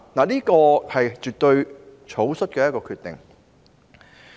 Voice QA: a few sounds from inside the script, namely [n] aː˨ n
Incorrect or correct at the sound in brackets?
correct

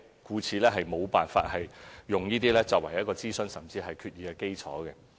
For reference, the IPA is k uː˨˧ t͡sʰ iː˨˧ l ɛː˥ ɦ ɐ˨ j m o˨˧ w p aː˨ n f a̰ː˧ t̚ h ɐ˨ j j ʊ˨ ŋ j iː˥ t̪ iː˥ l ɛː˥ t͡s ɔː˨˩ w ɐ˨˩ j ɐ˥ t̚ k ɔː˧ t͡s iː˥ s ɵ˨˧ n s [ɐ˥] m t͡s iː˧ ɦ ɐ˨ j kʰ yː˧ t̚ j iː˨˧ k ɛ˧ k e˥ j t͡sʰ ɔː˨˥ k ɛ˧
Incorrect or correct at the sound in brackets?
incorrect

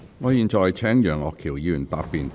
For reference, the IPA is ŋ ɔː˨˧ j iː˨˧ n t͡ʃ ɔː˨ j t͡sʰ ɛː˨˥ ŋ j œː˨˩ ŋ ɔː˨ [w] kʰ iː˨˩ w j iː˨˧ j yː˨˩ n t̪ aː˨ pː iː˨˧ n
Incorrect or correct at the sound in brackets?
incorrect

